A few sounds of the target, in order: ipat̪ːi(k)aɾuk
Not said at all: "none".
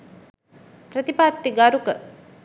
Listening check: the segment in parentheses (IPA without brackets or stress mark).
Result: ɡ